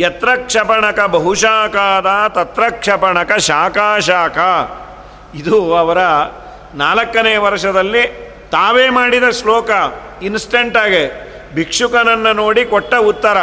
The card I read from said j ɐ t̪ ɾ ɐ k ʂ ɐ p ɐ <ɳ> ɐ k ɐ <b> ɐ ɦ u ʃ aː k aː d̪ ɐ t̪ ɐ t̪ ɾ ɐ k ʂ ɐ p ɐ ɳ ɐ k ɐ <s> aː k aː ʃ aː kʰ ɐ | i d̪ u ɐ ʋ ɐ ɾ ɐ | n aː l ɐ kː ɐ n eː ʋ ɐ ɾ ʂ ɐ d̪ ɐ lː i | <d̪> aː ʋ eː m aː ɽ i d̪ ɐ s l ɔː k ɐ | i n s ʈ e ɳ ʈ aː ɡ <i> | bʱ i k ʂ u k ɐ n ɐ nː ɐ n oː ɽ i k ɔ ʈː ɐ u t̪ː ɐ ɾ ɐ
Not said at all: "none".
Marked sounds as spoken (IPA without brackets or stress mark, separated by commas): ɳ, b, ʃ, t̪, e